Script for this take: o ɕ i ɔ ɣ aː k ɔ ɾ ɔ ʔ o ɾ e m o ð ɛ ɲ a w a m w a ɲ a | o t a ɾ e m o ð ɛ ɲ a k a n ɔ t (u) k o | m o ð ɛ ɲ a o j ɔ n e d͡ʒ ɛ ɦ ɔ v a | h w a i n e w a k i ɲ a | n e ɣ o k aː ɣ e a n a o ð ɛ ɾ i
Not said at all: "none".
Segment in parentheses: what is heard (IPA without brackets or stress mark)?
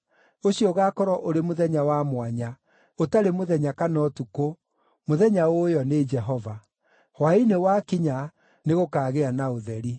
u